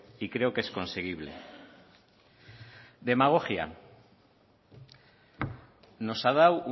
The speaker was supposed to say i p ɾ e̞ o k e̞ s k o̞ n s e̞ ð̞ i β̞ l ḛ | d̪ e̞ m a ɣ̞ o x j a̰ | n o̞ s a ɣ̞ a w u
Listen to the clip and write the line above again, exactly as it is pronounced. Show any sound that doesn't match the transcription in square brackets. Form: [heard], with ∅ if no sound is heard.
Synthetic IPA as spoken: i [k] ɾ e̞ o k e̞ s k o̞ n s e̞ [ɣ̞] i β̞ l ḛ | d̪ e̞ m a ɣ̞ o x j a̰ | n o̞ s a [ð̞] a w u